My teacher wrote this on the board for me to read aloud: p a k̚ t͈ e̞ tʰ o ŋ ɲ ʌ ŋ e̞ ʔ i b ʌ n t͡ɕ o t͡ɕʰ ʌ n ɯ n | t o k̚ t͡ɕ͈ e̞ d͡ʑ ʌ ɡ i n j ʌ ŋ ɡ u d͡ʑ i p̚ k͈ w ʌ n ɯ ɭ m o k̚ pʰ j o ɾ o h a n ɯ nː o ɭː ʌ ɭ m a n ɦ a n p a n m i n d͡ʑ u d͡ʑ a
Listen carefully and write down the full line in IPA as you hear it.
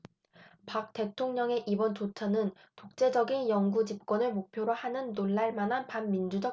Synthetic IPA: p a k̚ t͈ e̞ tʰ o ŋ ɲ ʌ ŋ e̞ ʔ i b ʌ n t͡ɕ o t͡ɕʰ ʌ n ɯ n | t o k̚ t͡ɕ͈ e̞ d͡ʑ ʌ ɡ i n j ʌ ŋ ɡ u d͡ʑ i p̚ k͈ w ʌ n ɯ ɭ m o k̚ pʰ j o ɾ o h a n ɯ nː o ɭː a ɭ m a n ɦ a n p a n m i n d͡ʑ u d͡ʑ ʌ